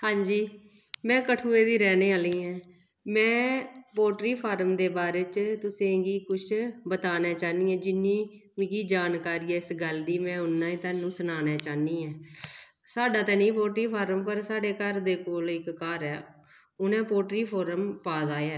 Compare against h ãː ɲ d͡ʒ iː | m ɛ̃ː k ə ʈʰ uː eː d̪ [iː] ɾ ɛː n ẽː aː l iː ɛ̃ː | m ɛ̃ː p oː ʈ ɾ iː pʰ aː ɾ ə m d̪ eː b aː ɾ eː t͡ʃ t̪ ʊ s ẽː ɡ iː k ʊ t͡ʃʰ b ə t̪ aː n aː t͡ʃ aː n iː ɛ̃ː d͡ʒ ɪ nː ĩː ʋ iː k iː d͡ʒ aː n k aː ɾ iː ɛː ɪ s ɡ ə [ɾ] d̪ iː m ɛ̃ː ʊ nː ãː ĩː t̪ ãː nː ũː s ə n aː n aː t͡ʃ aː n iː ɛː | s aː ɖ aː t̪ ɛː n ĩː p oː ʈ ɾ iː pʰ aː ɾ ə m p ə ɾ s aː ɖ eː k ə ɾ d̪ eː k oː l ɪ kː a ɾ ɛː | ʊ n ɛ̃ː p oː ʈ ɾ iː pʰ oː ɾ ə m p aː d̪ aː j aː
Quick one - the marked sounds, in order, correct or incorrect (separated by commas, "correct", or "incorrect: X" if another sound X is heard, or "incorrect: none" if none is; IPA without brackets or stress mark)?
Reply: correct, incorrect: l